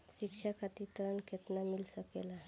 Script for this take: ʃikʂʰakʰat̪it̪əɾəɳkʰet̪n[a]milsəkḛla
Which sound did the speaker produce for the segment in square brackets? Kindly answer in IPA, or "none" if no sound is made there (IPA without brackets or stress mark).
a